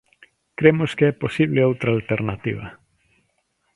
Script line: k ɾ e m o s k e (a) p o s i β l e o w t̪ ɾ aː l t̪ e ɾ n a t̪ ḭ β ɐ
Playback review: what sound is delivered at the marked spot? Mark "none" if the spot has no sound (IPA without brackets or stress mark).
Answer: ɛ